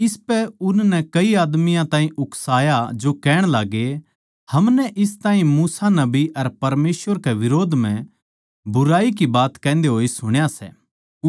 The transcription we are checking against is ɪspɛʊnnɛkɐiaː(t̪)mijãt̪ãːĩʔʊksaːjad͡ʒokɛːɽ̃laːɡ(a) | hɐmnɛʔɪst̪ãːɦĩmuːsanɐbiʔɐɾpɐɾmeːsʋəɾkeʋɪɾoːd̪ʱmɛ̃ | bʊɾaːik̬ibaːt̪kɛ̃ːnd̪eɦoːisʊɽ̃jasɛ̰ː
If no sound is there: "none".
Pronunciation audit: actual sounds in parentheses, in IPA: d̪, e

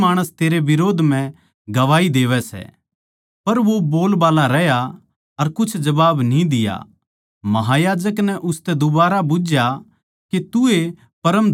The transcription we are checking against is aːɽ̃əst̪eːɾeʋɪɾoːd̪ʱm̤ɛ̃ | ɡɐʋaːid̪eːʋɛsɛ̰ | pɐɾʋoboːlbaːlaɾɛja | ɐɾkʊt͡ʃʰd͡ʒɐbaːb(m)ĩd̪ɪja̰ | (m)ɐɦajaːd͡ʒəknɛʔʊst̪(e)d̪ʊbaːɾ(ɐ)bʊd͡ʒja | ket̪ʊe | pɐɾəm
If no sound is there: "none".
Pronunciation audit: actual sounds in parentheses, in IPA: n, m, ɛ, a

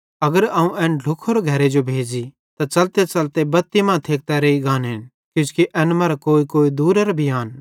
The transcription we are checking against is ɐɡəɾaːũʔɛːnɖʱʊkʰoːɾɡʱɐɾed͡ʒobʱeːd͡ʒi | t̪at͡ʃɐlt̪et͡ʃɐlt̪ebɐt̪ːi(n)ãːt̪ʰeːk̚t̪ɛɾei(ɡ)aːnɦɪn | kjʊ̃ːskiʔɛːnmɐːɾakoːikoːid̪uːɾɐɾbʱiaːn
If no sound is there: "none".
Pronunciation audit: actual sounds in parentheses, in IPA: m, ɡ

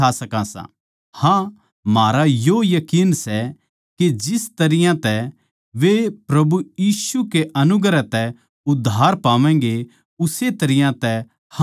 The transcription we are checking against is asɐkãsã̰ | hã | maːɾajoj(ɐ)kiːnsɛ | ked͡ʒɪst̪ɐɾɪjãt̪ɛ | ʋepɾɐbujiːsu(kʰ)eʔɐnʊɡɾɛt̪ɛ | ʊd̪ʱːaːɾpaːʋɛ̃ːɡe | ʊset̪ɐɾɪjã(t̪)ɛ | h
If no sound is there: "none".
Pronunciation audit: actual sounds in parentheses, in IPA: ɐ, k, t̪

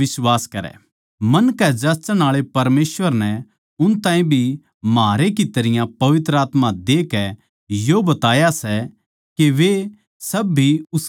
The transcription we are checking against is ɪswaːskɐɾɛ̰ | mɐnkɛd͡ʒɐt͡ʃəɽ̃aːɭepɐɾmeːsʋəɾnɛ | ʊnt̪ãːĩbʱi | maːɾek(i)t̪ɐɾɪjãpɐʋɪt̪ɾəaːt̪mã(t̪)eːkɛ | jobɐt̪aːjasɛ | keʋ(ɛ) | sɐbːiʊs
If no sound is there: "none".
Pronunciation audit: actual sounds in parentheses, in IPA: i, d̪, e

